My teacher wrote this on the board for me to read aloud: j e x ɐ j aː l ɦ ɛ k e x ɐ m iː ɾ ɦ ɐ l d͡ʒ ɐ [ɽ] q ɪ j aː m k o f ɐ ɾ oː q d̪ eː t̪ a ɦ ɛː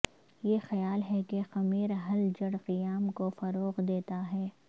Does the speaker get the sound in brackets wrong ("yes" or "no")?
no